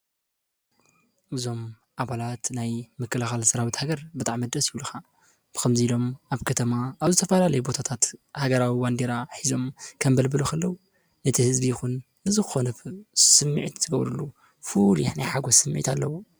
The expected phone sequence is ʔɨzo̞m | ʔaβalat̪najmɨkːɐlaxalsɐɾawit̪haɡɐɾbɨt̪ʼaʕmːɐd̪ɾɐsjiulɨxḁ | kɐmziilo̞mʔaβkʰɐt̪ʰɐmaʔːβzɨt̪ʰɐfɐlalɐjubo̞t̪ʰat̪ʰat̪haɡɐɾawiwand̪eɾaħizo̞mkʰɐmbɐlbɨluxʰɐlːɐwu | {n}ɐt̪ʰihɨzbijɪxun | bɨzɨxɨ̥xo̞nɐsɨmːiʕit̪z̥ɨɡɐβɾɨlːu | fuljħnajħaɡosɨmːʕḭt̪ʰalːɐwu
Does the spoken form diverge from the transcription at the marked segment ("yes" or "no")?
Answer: no